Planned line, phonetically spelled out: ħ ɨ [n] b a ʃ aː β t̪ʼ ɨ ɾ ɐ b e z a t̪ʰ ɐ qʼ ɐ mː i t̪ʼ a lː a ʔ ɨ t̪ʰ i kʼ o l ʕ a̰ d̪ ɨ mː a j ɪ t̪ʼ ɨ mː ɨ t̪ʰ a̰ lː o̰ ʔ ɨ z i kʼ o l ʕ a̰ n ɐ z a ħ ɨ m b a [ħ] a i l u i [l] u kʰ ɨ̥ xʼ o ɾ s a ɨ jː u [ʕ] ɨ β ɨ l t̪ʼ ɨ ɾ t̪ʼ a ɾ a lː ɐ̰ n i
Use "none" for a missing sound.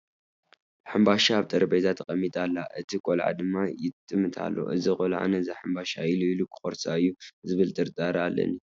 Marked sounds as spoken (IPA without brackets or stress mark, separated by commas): m, ʃ, l, z